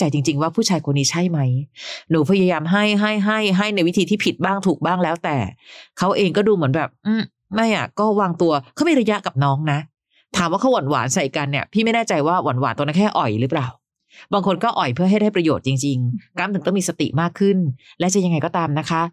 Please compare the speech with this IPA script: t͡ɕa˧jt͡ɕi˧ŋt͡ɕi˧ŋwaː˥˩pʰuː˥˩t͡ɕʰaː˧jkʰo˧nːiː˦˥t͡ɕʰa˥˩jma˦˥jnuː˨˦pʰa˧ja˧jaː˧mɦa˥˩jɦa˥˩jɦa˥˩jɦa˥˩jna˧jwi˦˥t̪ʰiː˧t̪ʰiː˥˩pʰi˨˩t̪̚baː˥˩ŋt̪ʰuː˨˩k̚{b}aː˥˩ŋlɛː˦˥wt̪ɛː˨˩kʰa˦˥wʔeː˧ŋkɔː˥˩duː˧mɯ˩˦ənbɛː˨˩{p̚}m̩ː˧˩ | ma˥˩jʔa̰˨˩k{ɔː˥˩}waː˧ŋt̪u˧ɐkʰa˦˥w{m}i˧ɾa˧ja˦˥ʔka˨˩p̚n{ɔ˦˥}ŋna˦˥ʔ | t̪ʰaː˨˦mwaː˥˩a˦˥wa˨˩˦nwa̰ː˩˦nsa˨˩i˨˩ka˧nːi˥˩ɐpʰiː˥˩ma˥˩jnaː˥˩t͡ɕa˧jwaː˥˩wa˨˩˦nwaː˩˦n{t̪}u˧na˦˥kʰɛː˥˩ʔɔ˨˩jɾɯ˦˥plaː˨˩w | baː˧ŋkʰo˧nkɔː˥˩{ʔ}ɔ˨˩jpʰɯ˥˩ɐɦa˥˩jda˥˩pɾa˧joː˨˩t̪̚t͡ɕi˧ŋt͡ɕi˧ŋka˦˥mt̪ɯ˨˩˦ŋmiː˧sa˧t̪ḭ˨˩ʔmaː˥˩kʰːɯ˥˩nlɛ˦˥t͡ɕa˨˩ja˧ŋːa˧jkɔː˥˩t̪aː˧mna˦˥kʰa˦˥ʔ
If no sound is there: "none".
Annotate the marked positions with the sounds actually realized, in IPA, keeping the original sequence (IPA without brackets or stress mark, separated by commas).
b, p̚, ɔː˥˩, m, ɔː˦˥, t̪, ʔ